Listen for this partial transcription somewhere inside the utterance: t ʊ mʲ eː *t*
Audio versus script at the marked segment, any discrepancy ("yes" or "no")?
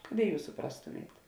no